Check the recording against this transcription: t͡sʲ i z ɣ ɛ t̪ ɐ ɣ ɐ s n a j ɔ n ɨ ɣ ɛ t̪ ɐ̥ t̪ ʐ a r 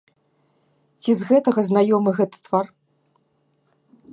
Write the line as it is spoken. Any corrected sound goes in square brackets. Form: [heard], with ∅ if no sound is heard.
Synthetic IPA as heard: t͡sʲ i z ɣ ɛ t̪ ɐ ɣ ɐ [z] n a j ɔ [m] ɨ ɣ ɛ t̪ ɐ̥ t̪ [v] a r